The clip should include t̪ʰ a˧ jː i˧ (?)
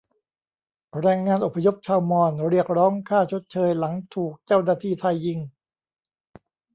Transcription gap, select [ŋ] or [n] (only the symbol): ŋ